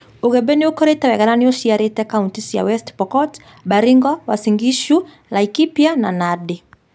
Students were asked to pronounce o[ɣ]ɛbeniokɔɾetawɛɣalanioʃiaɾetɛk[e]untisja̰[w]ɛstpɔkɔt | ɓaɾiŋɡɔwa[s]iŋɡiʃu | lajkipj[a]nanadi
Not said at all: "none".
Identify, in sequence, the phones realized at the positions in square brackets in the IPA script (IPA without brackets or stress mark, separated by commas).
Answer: ɣ, a, w, s, a